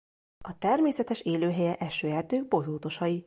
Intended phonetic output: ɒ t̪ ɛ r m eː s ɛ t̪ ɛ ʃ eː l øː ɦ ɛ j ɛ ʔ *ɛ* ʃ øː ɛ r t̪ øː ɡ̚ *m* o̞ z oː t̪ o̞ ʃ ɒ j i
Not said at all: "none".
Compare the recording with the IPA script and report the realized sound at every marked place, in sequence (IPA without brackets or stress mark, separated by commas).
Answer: ɛ, b